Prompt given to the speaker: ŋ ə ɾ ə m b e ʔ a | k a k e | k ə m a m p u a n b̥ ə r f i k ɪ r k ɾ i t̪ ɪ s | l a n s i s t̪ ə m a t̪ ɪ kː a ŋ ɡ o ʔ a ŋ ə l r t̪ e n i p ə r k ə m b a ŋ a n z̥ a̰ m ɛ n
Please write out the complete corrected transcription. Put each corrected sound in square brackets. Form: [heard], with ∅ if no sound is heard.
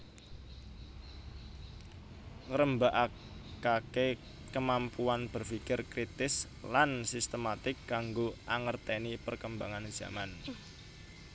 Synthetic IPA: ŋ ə ɾ ə m b [a] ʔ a | k a k e | k ə m a m p u a n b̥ ə r f i k ɪ r k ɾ i t̪ ɪ s | l a n s i s t̪ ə m a t̪ ɪ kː a ŋ ɡ o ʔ a ŋ ə [∅] r t̪ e n i p ə r k ə m b a ŋ a n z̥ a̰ m [a] n